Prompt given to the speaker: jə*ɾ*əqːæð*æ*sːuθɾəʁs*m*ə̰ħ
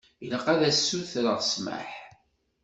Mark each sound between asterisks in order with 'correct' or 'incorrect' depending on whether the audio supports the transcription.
incorrect: l, correct, correct

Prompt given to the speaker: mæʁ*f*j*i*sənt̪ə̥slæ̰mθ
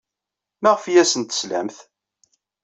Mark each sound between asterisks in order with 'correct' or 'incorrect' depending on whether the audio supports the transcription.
correct, incorrect: æ

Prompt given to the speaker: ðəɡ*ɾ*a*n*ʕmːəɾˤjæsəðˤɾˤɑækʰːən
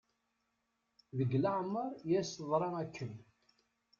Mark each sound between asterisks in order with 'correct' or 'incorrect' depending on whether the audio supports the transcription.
incorrect: l, incorrect: none

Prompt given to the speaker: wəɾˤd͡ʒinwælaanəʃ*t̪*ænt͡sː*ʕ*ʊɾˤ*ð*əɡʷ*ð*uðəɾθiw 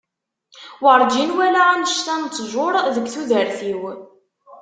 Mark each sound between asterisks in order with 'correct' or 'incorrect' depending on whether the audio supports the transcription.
correct, incorrect: ʒ, correct, incorrect: θ

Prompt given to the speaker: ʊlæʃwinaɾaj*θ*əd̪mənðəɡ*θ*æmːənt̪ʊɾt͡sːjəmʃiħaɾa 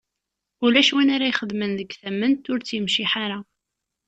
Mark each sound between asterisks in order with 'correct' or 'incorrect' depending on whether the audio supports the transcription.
incorrect: χ, correct

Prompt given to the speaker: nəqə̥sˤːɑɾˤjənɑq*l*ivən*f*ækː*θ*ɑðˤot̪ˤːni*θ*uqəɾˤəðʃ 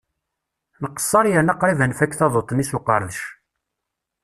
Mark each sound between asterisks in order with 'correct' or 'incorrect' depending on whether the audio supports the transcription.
incorrect: ɾ, correct, correct, incorrect: s

